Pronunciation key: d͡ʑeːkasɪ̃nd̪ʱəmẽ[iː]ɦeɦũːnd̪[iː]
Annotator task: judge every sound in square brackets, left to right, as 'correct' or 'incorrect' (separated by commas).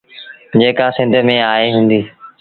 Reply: incorrect, correct